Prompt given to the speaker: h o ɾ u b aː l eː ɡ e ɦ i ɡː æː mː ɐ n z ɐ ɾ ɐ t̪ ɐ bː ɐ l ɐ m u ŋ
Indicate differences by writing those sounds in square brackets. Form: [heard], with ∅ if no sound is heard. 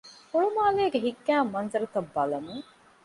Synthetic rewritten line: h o [ɭ] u [m] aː l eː ɡ e ɦ i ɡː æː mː ɐ n z ɐ ɾ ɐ t̪ ɐ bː ɐ l ɐ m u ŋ